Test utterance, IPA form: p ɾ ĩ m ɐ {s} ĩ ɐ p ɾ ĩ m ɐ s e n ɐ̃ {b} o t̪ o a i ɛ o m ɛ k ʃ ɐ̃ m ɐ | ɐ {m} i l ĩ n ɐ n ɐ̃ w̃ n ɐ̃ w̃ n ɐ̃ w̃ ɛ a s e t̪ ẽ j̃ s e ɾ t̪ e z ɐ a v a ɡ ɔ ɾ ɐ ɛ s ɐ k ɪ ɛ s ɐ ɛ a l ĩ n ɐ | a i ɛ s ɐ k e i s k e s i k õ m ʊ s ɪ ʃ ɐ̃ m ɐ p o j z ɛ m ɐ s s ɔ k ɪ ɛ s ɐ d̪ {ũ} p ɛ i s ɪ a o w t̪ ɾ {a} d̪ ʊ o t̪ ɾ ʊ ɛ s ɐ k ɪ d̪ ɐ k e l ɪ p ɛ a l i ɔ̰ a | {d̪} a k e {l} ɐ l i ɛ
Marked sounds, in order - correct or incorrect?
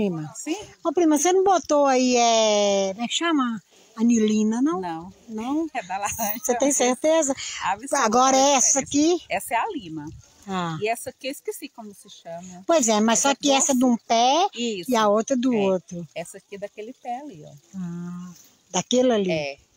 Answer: correct, correct, incorrect: n, correct, incorrect: ɐ, correct, correct

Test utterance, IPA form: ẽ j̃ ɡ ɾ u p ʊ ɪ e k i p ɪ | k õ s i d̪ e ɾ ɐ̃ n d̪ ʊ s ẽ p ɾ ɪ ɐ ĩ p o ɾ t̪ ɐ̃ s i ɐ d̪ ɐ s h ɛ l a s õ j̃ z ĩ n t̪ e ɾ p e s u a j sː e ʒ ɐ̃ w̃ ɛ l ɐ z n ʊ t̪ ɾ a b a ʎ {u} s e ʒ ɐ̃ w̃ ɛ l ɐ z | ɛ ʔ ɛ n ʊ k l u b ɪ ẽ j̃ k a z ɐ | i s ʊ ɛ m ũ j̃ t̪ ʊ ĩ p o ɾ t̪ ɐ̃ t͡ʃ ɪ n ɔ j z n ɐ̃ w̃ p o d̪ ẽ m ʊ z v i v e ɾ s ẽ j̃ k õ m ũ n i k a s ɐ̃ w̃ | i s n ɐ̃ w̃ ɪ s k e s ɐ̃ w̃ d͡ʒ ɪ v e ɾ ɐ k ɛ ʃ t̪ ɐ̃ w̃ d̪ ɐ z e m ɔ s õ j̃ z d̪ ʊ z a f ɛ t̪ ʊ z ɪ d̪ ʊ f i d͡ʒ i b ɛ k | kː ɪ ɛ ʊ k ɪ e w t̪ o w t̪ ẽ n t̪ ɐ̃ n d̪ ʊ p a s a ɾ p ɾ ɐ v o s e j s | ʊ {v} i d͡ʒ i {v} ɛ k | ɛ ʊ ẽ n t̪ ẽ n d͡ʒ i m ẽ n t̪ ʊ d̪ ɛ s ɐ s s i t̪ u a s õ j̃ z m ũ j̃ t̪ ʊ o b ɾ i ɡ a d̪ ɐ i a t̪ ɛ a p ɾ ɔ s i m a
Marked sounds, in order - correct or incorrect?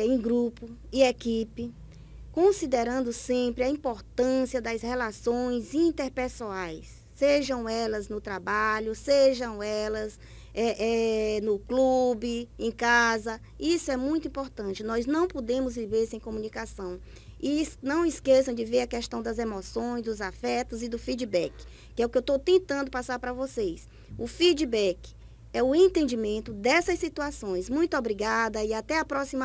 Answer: incorrect: ʊ, incorrect: f, incorrect: b

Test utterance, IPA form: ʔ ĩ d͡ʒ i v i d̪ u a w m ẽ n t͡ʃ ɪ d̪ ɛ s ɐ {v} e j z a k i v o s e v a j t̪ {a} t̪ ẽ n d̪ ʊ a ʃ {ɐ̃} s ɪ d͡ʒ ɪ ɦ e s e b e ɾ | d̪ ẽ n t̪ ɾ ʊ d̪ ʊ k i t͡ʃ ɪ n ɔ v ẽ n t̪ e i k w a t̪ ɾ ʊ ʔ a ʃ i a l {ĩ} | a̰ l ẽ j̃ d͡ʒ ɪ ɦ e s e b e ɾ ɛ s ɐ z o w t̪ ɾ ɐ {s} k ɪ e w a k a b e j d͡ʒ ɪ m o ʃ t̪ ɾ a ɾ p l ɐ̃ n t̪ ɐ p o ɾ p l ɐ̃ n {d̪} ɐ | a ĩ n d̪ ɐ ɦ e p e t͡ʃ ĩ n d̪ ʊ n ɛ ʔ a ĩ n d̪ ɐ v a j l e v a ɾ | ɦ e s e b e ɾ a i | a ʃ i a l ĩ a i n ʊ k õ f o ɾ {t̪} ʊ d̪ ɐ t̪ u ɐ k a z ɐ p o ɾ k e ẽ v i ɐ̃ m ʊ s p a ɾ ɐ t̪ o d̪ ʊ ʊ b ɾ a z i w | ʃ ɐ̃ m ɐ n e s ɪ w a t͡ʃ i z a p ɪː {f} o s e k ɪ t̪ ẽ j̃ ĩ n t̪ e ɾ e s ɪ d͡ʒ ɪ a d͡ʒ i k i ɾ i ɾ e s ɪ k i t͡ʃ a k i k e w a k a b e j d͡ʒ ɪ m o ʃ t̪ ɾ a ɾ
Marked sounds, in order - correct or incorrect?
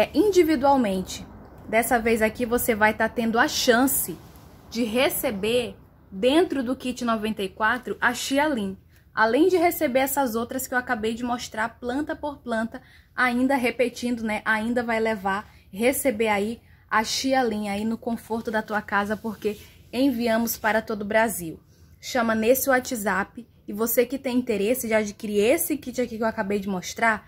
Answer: correct, correct, correct, correct, correct, incorrect: t̪, correct, incorrect: v

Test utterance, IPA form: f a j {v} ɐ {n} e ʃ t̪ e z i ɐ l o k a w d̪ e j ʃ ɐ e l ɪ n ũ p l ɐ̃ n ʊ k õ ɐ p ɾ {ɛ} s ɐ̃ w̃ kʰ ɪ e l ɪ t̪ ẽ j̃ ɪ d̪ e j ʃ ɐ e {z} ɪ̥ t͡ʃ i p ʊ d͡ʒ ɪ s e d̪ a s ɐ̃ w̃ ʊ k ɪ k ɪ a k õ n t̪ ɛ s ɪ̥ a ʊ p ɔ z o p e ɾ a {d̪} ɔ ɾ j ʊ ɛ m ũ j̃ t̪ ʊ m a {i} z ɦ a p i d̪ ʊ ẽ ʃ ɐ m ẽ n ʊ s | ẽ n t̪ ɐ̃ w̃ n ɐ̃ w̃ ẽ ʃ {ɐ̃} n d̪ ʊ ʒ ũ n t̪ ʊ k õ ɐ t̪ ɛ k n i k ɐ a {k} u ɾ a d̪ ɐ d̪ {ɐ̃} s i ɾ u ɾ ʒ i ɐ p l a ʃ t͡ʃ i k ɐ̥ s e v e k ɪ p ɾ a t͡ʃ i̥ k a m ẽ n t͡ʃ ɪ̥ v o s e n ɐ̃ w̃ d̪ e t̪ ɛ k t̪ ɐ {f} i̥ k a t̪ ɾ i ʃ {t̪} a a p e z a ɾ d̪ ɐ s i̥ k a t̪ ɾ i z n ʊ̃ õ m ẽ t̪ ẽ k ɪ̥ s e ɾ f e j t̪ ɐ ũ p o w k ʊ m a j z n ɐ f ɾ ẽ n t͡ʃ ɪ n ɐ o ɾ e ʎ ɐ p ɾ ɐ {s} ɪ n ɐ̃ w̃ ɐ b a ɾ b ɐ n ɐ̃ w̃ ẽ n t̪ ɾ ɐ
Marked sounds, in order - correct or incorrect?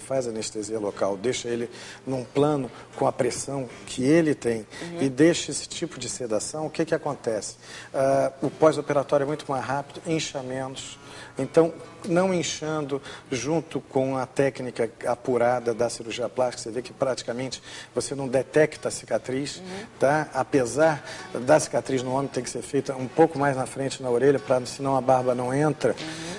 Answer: incorrect: z, correct, incorrect: e, incorrect: s, incorrect: t̪, incorrect: j, correct, incorrect: p, incorrect: ɐ, incorrect: s, correct, correct

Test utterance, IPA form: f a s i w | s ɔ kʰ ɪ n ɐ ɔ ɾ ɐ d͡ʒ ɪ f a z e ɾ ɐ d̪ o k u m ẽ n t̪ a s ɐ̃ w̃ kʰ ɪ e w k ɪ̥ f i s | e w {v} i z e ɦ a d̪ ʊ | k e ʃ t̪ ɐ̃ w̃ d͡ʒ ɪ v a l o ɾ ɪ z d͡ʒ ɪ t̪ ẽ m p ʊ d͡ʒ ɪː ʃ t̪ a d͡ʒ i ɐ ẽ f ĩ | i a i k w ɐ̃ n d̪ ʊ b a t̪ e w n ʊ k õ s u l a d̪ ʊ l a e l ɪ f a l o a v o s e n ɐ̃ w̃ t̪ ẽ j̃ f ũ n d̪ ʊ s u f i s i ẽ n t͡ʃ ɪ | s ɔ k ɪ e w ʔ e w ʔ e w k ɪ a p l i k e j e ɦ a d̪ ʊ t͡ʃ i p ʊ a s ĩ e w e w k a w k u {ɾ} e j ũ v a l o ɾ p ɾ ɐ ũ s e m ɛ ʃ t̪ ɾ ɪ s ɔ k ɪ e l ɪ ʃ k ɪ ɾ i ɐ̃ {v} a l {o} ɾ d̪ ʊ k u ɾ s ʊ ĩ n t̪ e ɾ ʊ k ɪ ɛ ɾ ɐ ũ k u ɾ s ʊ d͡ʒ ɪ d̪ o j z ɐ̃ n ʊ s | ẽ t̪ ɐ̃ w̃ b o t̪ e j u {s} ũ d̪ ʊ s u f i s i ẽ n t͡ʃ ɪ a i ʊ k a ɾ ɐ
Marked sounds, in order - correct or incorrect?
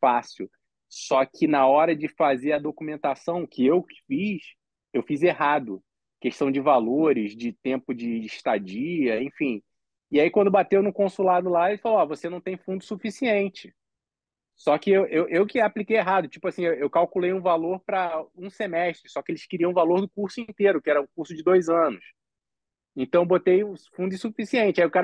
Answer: incorrect: f, incorrect: l, correct, correct, incorrect: f

